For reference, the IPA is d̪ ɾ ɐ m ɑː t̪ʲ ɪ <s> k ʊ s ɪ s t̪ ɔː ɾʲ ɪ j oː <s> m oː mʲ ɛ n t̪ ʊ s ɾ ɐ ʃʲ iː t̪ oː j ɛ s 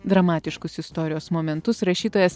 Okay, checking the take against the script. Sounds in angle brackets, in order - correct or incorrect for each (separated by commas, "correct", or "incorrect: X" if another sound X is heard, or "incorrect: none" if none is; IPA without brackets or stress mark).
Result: incorrect: ʃ, correct